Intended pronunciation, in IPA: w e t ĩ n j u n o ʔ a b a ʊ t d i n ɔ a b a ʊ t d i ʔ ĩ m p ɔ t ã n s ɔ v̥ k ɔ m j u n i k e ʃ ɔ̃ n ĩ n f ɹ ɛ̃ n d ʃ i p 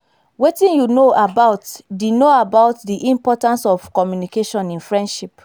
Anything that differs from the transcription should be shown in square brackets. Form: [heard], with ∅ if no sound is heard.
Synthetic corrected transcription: w e t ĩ n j u n o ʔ a b a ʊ t d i n [o] a b a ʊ t d i ʔ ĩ m p ɔ t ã n s ɔ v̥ k ɔ m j u n i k e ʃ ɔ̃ n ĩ n f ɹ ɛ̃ n d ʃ i p